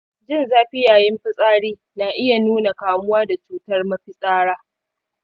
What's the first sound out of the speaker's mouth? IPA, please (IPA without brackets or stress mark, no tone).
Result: d͡ʒ